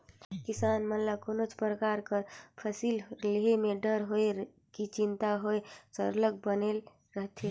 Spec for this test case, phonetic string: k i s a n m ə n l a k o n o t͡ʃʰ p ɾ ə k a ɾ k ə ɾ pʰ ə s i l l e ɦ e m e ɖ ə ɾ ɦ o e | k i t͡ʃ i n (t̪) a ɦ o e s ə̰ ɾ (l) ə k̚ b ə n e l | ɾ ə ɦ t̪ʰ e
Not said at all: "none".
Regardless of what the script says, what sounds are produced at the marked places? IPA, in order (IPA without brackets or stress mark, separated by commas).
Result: t̪, l